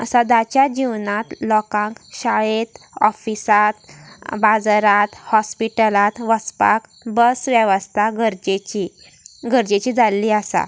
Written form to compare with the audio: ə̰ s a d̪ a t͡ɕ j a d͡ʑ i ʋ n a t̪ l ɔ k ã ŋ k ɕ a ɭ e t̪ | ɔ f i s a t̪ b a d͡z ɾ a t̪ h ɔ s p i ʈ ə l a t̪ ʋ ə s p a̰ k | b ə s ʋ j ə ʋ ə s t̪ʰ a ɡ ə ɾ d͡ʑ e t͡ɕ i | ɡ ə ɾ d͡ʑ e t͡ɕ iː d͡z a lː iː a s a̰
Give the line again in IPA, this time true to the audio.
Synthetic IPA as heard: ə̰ s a d̪ a t͡ɕ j a d͡ʑ i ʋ n a t̪ l ɔ k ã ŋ k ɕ a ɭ e t̪ | ɔ f i s a t̪ b a d͡z ɾ a t̪ h ɔ s p i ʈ ə l a t̪ ʋ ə s p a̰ k | b ə s ʋ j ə ʋ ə s t̪ʰ a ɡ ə ɾ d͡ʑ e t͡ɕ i | ɡ ə ɾ d͡ʑ e t͡ɕ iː d͡z a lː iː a s a̰